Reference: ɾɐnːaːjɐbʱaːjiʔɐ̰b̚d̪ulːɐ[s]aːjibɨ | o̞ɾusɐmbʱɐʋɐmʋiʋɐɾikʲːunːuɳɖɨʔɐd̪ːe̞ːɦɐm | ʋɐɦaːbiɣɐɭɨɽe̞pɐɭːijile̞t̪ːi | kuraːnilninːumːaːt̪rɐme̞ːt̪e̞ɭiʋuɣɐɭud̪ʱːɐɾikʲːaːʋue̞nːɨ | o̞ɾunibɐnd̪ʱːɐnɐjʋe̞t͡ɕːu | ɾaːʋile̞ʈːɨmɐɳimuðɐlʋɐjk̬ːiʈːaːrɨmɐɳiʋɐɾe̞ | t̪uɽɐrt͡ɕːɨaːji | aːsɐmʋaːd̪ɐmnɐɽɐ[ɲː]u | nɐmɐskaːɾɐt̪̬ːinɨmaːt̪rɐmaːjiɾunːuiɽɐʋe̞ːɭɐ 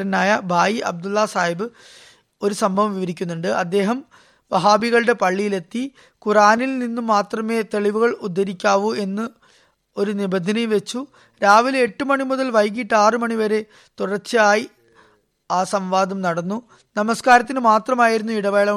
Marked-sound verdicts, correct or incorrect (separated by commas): correct, incorrect